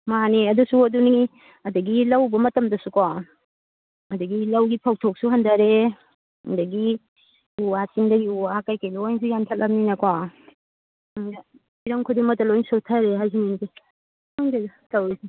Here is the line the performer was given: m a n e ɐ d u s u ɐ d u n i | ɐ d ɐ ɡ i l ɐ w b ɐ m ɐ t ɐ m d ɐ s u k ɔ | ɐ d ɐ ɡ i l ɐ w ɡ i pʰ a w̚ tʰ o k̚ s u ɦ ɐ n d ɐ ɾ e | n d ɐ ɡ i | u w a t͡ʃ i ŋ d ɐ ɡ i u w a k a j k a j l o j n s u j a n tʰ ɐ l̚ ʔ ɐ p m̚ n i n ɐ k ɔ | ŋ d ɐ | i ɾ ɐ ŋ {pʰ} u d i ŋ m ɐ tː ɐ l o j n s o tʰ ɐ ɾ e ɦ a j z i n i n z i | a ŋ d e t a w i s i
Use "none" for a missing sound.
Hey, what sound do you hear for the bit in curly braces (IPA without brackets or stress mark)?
kʰ